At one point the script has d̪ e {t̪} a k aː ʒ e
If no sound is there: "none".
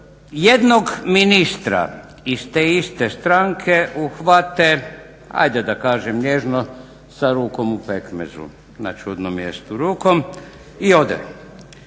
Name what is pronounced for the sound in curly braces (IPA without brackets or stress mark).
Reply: d̪